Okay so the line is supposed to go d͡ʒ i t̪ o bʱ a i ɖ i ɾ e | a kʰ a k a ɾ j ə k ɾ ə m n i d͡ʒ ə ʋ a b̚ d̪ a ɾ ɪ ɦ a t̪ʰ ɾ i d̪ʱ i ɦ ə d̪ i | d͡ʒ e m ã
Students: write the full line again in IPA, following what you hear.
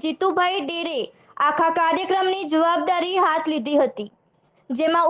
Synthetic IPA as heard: d͡ʒ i t̪ u bʱ a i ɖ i ɾ e | a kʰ a k a ɾ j ə k ɾ ə m n i d͡ʒ ə ʋ a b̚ d̪ a ɾ i ɦ a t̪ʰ l i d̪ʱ i ɦ ə t̪ i | d͡ʒ e m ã